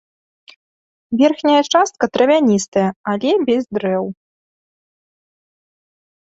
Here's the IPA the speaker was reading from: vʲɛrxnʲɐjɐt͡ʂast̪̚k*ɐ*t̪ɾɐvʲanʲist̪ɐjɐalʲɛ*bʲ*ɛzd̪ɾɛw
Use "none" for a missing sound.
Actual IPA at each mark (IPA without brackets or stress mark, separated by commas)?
ɐ, bʲ